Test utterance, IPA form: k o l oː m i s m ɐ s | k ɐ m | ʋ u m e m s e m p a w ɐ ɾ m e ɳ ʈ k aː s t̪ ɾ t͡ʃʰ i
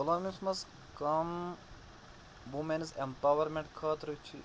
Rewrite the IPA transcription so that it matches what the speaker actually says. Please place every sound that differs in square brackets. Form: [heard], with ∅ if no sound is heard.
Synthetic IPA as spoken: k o l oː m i s m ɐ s | k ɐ m | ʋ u m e [n] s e m p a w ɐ ɾ m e ɳ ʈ [kʰ] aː [∅] t̪ ɾ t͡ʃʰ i